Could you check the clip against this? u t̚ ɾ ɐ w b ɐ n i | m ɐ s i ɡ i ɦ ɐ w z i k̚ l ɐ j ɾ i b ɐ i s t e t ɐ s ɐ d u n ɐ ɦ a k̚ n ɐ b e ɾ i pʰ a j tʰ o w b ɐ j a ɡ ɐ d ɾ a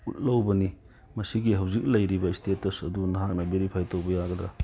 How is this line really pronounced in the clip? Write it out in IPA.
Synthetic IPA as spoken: u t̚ l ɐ w b ɐ n i | m ɐ s i ɡ i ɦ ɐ w z i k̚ l ɐ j ɾ i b ɐ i s t e t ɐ s ɐ d u n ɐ ɦ a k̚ n ɐ b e ɾ i pʰ a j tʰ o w b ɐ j a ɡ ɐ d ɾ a

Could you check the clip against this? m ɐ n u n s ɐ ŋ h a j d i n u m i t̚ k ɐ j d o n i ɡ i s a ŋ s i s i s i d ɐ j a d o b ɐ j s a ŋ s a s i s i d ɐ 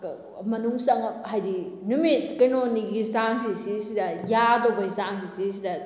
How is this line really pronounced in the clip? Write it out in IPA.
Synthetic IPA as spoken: m ɐ n u ŋ s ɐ ŋ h a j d i n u m i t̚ k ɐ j n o n i ɡ i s a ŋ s i s i s i d ɐ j a d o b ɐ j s a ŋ s i s i s i d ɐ

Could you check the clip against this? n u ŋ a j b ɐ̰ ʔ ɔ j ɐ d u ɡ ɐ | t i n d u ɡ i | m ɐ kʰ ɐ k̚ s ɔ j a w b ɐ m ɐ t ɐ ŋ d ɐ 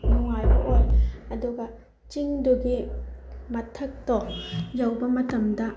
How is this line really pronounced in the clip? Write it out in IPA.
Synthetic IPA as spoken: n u ŋ a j b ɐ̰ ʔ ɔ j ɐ d u ɡ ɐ | t͡ʃ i ŋ d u ɡ i | m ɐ tʰ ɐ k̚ t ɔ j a w b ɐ m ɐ t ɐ m d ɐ

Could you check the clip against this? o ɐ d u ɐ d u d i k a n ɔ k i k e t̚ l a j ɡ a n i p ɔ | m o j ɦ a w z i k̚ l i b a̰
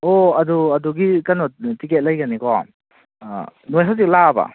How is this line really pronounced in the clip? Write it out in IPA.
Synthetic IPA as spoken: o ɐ d u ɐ d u ɡ i k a n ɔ t i k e t̚ l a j ɡ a n i k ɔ | n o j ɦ a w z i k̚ l a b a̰

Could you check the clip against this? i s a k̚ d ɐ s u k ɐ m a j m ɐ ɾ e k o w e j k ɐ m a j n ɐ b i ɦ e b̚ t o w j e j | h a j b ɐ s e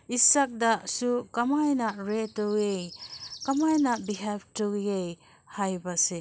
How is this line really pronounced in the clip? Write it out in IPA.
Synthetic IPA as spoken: i s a k̚ d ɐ s u k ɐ m a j n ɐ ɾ e t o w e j k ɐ m a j n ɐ b i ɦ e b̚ t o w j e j | h a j b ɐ s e

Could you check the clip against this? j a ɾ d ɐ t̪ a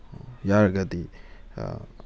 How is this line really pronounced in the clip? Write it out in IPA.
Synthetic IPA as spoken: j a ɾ ɡ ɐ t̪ i

